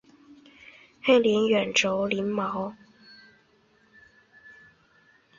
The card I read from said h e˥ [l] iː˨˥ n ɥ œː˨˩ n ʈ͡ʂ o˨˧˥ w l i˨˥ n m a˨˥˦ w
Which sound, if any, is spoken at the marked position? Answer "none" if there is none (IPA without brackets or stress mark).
l